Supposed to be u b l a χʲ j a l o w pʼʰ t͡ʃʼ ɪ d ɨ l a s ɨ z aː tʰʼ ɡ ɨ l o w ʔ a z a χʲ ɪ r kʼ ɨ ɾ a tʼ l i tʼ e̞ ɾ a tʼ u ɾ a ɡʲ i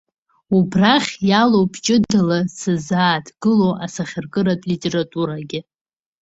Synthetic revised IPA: u b r a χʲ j a l o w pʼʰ t͡ʃʼ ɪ d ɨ l a s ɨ z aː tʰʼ ɡ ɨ l o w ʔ a s a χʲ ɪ r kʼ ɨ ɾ a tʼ l i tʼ e̞ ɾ a tʼ u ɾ a ɡʲ ɪ